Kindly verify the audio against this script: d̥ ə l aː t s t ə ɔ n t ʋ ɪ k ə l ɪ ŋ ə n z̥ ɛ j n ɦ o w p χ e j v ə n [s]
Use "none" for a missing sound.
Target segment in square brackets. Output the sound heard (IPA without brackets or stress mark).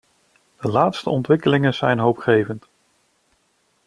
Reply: t